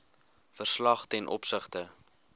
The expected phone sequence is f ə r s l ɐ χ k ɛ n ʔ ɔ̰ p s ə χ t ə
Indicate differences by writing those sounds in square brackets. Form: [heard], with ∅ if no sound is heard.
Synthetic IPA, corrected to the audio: f ə r s l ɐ χ [t] ɛ n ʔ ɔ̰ p s ə χ t ə